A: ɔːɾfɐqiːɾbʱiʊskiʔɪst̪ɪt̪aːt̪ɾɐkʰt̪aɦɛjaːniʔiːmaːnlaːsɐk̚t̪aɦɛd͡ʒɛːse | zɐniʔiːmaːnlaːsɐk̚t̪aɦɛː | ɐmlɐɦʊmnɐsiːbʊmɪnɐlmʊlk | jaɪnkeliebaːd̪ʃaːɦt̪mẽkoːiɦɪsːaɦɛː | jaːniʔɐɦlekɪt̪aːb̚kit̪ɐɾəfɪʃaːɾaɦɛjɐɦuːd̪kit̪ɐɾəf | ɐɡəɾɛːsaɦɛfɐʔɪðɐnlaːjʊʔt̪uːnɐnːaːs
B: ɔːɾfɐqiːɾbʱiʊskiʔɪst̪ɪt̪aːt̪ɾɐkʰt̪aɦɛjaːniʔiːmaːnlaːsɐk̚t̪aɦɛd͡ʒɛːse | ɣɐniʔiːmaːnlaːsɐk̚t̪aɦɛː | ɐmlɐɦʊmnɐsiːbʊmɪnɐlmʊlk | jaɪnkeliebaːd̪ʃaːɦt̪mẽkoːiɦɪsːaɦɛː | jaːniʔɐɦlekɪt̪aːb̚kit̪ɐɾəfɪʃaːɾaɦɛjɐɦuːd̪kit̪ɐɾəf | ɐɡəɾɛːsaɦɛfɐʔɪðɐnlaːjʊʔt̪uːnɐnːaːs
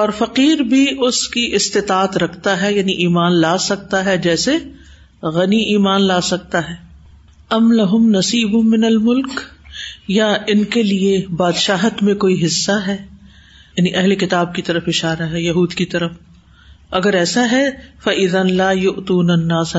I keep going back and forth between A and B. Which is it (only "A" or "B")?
B